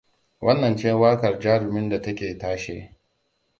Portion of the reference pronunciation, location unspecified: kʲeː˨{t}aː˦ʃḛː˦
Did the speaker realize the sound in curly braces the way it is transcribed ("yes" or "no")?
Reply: yes